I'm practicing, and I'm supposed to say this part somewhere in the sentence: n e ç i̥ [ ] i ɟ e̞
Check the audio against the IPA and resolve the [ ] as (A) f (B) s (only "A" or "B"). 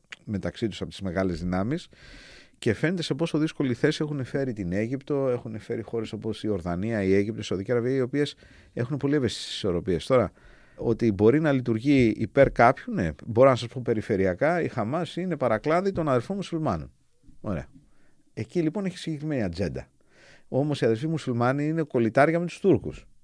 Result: B